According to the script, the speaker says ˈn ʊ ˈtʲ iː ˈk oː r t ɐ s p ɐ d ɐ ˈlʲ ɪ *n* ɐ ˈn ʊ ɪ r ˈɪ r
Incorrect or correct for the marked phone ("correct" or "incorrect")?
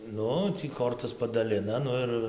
correct